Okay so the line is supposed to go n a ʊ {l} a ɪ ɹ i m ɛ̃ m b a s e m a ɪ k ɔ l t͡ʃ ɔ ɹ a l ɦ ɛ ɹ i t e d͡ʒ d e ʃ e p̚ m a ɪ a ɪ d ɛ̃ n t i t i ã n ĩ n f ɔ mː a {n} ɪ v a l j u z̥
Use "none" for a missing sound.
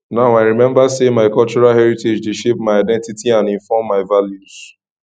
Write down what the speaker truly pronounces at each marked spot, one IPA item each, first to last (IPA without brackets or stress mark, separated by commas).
none, none